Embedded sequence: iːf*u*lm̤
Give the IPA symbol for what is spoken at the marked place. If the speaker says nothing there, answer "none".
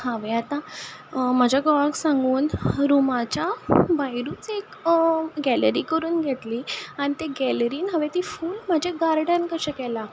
uː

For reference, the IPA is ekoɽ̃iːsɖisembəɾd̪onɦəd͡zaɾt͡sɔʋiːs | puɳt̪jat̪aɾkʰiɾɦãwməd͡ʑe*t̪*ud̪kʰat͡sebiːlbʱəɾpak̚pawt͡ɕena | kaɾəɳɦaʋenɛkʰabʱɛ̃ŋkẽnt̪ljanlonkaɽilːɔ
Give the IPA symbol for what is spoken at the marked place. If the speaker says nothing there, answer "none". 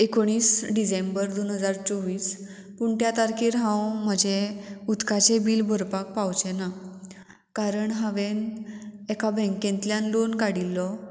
none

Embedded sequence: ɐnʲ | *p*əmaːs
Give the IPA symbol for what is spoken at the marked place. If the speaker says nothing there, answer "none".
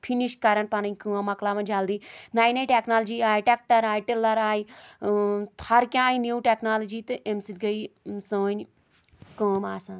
k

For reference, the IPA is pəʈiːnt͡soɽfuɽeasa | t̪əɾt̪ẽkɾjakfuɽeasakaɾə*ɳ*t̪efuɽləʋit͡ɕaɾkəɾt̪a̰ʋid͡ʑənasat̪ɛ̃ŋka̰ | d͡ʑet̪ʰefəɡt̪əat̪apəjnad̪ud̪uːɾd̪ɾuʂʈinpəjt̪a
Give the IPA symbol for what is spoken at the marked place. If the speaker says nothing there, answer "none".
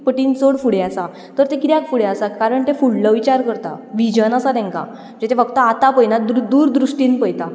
ɳ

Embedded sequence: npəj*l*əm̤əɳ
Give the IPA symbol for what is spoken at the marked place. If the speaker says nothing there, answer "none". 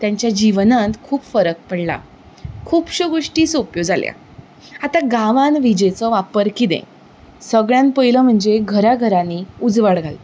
l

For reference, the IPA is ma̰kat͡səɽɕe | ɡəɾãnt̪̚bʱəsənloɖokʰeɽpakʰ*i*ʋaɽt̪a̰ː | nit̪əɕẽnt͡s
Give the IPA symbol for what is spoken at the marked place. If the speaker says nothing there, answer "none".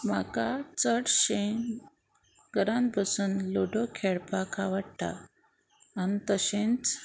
a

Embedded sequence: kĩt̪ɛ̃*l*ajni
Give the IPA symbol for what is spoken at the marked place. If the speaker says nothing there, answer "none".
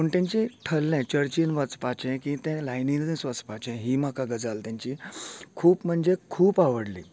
l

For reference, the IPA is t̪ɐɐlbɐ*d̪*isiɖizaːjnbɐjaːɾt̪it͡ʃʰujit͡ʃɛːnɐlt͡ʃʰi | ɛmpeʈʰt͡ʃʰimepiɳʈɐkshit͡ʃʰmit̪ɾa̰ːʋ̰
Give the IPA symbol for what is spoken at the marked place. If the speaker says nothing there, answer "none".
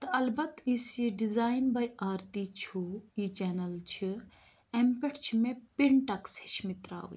t̪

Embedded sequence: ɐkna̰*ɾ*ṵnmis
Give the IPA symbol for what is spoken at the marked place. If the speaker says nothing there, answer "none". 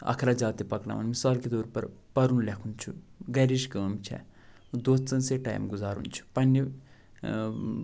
none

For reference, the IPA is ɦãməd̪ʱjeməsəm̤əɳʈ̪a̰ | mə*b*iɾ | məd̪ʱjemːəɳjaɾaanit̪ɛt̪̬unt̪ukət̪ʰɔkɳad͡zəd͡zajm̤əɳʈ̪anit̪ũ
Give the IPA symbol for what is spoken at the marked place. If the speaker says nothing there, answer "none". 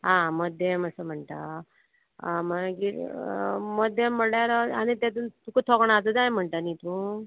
ɡ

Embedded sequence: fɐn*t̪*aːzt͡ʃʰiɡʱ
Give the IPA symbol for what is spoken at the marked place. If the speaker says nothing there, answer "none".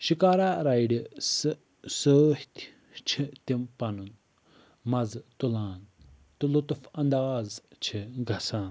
d̪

